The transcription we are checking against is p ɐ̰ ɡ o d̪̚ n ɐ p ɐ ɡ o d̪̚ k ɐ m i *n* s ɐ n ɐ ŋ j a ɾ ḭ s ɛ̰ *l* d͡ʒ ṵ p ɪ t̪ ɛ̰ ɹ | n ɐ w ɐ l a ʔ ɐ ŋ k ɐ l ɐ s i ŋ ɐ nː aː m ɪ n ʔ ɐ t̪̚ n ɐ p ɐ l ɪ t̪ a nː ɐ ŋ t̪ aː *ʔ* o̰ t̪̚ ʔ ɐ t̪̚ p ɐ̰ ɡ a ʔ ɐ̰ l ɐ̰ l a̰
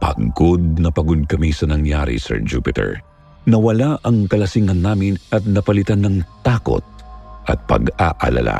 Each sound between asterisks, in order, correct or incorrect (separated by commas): incorrect, incorrect, incorrect